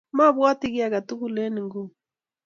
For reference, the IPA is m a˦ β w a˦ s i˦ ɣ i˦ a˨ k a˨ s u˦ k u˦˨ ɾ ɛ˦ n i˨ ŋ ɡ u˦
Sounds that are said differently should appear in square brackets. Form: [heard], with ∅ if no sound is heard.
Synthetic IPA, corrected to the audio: m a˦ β w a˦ [t] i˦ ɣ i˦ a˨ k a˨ [t] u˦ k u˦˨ [l] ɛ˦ n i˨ ŋ ɡ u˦